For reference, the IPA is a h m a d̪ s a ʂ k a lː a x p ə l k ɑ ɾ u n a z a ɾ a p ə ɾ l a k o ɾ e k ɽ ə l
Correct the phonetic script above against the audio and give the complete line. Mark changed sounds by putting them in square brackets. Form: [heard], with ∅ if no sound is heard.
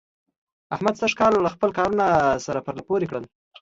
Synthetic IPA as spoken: a h m a d̪ s a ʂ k [ɑ] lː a x p ə l k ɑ ɾ u n a [s] a ɾ a p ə ɾ l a [p] o ɾ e k ɽ ə l